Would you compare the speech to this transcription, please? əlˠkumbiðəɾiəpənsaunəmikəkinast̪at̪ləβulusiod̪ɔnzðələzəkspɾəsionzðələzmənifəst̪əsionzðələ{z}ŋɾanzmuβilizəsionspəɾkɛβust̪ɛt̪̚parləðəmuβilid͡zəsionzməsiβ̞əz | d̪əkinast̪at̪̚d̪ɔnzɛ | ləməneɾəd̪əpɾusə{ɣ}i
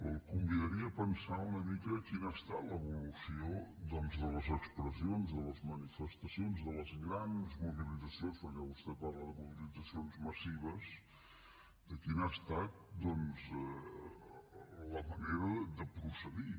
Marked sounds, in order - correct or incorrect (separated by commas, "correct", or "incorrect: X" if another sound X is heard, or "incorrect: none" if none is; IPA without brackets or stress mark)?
correct, incorrect: ð